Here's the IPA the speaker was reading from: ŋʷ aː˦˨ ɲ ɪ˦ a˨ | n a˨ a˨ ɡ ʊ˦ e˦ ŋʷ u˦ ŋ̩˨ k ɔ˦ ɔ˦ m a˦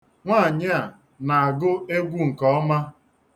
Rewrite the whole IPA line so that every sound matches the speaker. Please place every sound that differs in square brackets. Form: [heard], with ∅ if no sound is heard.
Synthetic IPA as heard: ŋʷ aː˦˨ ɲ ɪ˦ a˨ | n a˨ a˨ ɡ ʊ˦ e˦ [ɡʷ] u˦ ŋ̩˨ k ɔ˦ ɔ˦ m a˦

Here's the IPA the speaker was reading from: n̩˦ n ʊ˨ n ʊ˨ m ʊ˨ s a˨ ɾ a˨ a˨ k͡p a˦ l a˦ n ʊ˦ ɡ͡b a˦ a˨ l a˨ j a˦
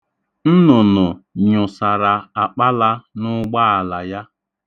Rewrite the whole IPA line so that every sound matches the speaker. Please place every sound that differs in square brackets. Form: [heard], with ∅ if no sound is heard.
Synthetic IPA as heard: n̩˦ n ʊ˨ n ʊ˨ [ɲ] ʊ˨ s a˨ ɾ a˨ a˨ k͡p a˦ l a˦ n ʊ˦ ɡ͡b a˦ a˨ l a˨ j a˦

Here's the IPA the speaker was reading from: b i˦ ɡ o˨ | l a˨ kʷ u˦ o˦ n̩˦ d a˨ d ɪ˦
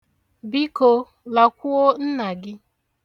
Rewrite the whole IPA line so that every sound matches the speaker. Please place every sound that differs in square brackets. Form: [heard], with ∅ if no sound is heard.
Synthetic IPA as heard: b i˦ [k] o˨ | l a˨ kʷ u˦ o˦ n̩˦ [n] a˨ [ɡ] ɪ˦

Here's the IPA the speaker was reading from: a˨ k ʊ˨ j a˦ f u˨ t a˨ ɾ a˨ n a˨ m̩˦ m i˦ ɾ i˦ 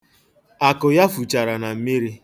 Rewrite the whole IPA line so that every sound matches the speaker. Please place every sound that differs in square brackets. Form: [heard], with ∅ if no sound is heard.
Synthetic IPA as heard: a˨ k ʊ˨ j a˦ f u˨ [t͡ʃ] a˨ ɾ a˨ n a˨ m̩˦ m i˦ ɾ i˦

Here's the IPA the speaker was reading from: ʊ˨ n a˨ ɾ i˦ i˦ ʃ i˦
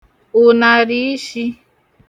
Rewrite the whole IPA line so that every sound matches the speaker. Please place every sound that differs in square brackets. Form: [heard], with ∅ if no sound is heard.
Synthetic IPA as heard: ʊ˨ n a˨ ɾ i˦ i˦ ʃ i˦

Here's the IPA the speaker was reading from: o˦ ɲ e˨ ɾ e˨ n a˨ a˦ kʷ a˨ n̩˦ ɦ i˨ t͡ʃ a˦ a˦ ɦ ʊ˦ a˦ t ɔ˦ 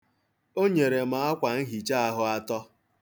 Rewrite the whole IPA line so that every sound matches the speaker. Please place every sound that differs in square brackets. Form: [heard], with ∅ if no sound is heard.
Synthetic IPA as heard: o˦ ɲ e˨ ɾ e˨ [m] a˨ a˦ kʷ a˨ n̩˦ ɦ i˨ t͡ʃ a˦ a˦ ɦ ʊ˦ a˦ t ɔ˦

